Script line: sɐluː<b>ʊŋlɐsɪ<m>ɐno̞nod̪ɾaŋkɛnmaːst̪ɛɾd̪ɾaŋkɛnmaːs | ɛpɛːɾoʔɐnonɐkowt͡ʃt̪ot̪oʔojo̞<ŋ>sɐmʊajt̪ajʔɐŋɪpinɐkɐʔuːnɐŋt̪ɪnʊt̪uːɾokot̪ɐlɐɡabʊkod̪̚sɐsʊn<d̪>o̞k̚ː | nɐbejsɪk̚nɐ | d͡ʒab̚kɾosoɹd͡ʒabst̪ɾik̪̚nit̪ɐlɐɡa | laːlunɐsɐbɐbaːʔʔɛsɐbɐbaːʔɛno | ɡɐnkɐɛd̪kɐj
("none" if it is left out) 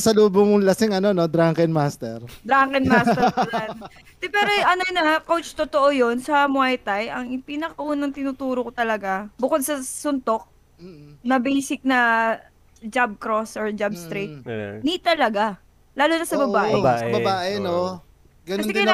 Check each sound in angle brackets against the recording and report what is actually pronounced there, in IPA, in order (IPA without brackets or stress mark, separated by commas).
b, ŋ, n, t̪